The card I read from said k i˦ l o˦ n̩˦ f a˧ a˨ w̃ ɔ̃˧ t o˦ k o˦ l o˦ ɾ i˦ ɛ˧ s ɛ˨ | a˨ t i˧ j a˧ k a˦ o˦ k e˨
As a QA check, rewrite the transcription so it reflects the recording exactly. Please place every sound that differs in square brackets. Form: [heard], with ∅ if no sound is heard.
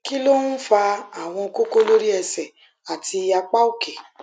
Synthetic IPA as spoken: k i˦ l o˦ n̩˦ f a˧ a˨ w̃ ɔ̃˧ [k] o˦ k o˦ l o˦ ɾ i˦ ɛ˧ s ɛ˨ | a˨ t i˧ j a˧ [k͡p] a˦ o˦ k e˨

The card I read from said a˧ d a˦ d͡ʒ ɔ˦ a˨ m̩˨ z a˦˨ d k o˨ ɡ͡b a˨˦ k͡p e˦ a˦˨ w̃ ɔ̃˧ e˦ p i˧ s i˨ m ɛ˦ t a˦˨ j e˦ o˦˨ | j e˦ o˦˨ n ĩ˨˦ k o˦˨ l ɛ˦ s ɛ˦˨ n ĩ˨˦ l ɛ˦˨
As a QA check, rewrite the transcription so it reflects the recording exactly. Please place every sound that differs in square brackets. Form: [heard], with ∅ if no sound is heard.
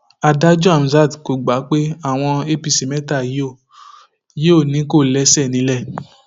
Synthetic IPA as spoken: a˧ d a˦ d͡ʒ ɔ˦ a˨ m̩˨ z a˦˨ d k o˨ ɡ͡b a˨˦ k͡p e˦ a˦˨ w̃ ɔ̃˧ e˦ p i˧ s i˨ m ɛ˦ t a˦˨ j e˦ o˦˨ | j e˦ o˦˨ n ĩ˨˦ k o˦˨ l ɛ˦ s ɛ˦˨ n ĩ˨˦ l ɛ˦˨

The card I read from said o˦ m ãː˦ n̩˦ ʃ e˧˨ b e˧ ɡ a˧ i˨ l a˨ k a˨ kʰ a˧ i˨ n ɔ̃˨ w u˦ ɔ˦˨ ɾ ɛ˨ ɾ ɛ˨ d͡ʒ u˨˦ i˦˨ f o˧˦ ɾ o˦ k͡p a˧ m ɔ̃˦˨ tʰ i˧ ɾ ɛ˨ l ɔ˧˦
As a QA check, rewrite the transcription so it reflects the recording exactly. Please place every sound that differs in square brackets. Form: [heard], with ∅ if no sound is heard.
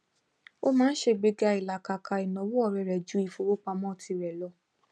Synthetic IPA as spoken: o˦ m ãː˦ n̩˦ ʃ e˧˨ [ɡ͡b] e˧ ɡ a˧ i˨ l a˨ k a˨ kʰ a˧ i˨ n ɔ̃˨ w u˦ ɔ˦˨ ɾ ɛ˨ ɾ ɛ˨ d͡ʒ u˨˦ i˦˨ f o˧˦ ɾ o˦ k͡p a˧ m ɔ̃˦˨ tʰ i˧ ɾ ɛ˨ l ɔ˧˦

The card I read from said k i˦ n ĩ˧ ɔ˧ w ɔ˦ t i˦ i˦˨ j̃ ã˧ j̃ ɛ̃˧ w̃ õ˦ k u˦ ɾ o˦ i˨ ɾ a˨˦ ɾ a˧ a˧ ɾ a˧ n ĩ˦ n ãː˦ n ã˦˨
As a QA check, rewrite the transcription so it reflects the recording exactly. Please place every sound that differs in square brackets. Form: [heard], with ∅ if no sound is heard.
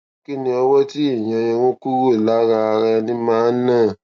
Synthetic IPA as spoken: k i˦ n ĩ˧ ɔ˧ w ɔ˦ t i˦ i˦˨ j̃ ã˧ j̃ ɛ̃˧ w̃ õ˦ k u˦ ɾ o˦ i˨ [l] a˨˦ ɾ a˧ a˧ ɾ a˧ n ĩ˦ [m] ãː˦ n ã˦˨

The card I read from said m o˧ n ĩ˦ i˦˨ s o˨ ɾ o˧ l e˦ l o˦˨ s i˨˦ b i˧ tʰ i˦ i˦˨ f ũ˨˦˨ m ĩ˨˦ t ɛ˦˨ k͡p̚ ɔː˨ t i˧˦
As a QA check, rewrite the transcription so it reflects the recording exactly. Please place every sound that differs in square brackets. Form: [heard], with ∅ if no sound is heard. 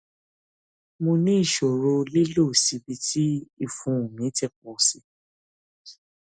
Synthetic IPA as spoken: m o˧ n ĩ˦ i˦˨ [ʃ] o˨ ɾ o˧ l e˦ l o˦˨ s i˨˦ b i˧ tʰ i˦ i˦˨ f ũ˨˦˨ m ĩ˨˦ t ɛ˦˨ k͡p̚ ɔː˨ [s] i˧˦

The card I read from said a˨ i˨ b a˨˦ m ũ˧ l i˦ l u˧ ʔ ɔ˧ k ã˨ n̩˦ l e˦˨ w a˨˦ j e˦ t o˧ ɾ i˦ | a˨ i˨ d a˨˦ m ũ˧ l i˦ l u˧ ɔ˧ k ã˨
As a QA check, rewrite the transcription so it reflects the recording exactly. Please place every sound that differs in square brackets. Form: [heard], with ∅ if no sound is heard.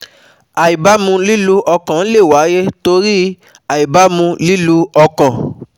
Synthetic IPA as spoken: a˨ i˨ b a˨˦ m ũ˧ l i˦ l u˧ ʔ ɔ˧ k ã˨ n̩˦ l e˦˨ w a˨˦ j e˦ t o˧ ɾ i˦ | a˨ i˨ [b] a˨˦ m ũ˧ l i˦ l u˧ ɔ˧ k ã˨

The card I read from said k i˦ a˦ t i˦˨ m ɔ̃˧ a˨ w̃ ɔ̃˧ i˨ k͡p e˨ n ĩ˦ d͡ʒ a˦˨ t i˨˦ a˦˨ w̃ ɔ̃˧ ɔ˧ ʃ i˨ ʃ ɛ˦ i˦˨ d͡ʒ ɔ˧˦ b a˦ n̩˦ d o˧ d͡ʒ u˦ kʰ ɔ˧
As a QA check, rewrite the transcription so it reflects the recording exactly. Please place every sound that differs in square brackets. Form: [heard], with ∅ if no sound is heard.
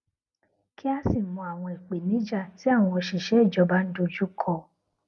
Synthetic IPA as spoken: k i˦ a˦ [s] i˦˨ m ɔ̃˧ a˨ w̃ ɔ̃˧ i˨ k͡p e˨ n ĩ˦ d͡ʒ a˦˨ t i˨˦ a˦˨ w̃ ɔ̃˧ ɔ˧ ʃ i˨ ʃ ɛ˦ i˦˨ d͡ʒ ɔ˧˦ b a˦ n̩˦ d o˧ d͡ʒ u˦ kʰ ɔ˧

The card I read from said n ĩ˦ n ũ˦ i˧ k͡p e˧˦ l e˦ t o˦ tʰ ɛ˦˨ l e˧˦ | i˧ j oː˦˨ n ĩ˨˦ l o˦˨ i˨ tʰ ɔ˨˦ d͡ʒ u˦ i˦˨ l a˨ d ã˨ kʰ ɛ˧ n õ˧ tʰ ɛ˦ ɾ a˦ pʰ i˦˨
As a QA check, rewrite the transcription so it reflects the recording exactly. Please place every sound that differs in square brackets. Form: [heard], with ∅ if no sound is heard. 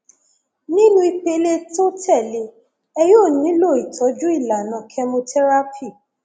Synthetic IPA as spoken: n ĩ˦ n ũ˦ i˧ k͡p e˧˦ l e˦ t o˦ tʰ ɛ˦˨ l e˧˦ | [ɛ˧] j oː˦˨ n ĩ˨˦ l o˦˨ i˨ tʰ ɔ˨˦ d͡ʒ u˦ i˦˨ l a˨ [n] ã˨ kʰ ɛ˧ [m] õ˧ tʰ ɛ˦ ɾ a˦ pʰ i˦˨

